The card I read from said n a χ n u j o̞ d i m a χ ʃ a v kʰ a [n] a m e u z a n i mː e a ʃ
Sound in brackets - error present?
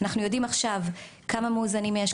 yes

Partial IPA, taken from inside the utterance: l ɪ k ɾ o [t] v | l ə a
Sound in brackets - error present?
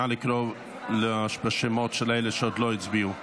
yes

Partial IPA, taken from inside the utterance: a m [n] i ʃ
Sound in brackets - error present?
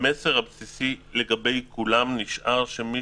no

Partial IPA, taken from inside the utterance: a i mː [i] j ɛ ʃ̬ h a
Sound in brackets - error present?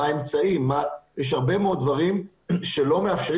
yes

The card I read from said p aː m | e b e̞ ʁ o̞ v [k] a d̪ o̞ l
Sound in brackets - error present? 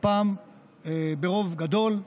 yes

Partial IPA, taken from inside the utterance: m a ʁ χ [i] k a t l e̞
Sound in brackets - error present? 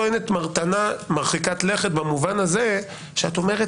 no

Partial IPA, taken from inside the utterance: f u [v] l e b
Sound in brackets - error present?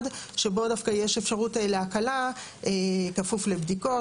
yes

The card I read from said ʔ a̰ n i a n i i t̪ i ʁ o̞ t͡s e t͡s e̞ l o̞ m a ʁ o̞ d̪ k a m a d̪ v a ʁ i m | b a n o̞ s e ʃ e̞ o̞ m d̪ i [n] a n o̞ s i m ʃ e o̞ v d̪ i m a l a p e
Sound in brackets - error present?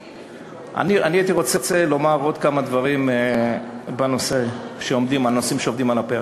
yes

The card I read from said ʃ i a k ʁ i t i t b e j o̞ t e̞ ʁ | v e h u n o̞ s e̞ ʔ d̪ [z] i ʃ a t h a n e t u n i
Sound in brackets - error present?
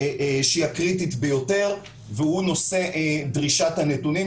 yes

